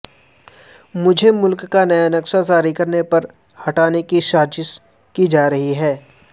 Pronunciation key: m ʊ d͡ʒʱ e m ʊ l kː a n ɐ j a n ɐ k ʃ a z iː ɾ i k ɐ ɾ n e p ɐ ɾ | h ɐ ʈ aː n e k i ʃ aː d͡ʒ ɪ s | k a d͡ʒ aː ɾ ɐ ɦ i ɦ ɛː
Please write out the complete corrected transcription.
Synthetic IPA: m ʊ d͡ʒʱ e m ʊ l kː a n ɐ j a n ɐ k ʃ a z aː ɾ i k ɐ ɾ n e p ɐ ɾ | h ɐ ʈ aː n e k i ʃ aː d͡ʒ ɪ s | k i d͡ʒ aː ɾ ɐ ɦ i ɦ ɛː